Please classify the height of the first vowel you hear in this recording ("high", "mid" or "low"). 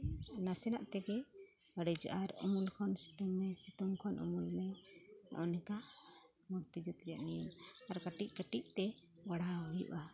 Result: low